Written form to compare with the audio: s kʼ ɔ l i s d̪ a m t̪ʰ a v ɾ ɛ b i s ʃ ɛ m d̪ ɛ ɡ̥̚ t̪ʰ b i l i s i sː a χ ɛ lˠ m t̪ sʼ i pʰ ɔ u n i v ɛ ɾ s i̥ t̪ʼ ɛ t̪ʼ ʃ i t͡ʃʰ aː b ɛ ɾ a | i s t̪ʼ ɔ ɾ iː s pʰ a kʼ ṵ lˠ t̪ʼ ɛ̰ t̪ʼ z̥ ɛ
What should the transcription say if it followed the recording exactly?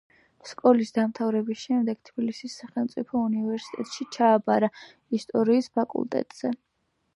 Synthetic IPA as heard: s kʼ ɔ l i s d̪ a m t̪ʰ a v ɾ ɛ b i s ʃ ɛ m d̪ ɛ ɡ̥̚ t̪ʰ b i l i s i sː a χ ɛ lˠ m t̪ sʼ i pʰ ɔ u n i v ɛ ɾ s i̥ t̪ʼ ɛ t̪ʼ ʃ i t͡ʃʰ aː b a ɾ a | i s t̪ʼ ɔ ɾ iː s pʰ a kʼ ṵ lˠ t̪ʼ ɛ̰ t̪ʼ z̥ ɛ